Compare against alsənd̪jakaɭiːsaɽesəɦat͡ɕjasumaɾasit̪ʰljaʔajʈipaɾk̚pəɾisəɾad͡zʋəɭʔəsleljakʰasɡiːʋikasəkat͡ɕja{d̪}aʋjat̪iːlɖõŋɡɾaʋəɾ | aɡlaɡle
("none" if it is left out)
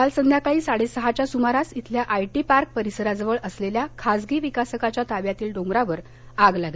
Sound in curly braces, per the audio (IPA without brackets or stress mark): t̪